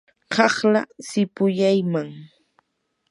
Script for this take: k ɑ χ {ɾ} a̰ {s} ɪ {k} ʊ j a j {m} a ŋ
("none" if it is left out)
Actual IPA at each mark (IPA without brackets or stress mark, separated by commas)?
l, s, p, m